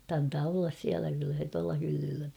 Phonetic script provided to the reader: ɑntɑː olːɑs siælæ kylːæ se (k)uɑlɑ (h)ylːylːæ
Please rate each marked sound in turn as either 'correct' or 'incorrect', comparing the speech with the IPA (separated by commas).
incorrect, correct